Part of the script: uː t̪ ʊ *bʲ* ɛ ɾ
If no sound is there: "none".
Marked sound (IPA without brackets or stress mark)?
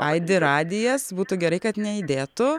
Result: ɡʲ